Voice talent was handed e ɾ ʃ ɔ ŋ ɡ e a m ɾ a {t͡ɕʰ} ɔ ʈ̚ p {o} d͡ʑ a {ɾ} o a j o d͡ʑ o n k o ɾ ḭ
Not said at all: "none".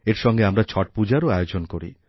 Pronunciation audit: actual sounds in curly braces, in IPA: t͡ɕʰ, u, ɾ

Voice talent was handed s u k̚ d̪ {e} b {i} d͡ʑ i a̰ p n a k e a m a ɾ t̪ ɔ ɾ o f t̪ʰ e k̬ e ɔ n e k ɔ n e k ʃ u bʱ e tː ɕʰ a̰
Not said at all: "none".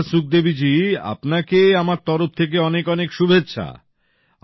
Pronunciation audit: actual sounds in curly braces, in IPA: e, i

